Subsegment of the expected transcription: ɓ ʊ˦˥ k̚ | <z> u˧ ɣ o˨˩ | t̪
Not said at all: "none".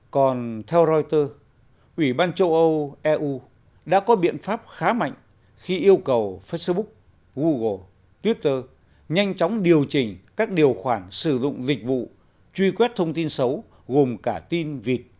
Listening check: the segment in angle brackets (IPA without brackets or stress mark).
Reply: ɣ